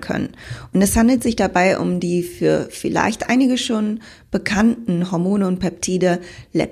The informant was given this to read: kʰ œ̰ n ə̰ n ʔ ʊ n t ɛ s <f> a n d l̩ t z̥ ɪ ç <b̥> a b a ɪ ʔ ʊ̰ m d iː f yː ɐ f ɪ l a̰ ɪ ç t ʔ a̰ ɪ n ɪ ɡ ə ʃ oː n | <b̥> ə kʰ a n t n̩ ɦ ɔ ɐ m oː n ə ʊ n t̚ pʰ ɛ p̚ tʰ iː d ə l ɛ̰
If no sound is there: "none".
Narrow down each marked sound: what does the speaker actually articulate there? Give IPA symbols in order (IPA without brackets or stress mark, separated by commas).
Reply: h, d̥, b̥